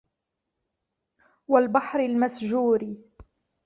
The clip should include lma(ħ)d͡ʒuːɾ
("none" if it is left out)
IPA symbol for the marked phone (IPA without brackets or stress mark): s